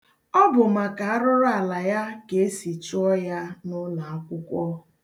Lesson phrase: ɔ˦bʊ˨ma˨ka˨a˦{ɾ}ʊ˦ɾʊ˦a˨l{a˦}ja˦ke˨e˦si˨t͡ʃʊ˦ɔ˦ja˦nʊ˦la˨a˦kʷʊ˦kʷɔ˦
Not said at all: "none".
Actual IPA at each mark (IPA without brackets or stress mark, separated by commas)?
ɾ, a˨